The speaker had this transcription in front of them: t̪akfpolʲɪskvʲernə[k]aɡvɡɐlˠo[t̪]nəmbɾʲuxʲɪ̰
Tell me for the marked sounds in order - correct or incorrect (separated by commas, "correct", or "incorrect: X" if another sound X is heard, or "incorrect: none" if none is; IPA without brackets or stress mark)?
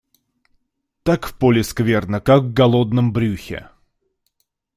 correct, incorrect: d̪